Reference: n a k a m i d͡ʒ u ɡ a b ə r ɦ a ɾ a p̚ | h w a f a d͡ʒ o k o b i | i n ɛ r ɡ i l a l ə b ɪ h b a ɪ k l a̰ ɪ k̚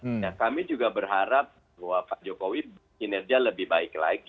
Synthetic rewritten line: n a k a m i d͡ʒ u ɡ a b ə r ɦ a ɾ a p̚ | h w a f a d͡ʒ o k o w i | i n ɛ r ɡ i a l ə b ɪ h b a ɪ k l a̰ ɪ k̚